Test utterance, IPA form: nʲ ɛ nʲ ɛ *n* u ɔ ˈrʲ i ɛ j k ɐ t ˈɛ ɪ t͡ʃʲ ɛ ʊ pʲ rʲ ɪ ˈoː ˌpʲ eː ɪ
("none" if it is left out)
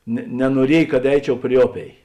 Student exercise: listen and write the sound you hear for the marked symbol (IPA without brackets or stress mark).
n